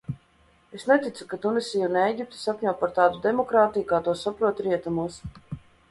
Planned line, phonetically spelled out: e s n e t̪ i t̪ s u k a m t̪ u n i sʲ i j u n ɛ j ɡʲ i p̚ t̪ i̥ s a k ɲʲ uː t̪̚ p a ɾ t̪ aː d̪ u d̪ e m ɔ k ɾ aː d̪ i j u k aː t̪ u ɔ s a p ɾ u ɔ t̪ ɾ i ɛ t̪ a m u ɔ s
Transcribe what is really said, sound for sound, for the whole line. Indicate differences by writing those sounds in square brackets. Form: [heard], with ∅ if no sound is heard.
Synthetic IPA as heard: e s n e t̪ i t̪ s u k a [∅] t̪ u n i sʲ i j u n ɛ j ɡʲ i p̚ t̪ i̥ s a k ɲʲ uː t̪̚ p a ɾ t̪ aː d̪ u d̪ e m ɔ k ɾ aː [t̪] i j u k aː t̪ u ɔ s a p ɾ u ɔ t̪ ɾ i ɛ t̪ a m u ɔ s